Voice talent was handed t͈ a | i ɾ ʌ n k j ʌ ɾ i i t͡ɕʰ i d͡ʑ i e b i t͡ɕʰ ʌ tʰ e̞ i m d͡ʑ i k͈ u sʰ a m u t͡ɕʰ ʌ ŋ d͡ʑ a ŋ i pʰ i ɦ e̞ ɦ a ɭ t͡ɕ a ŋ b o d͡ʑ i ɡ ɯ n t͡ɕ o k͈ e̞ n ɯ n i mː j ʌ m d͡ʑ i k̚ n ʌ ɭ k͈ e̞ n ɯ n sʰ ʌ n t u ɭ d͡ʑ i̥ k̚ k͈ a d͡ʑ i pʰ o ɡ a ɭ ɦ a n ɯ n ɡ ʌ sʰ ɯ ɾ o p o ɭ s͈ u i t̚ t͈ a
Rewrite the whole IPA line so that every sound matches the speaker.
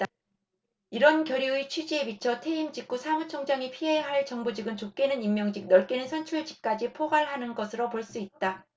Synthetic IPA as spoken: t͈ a | i ɾ ʌ n k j ʌ ɾ i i t͡ɕʰ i d͡ʑ i e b i t͡ɕʰ ʌ tʰ e̞ i m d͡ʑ i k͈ u sʰ a m u t͡ɕʰ ʌ ŋ d͡ʑ a ŋ i pʰ i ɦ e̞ ɦ a ɭ t͡ɕ ʌ ŋ b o d͡ʑ i ɡ ɯ n t͡ɕ o k͈ e̞ n ɯ n i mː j ʌ ŋ d͡ʑ i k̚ n ʌ ɭ k͈ e̞ n ɯ n sʰ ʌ n t͡ɕʰ u ɭ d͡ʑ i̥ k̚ k͈ a d͡ʑ i pʰ o ɡ a ɭ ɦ a n ɯ n ɡ ʌ sʰ ɯ ɾ o p o ɭ s͈ u i t̚ t͈ a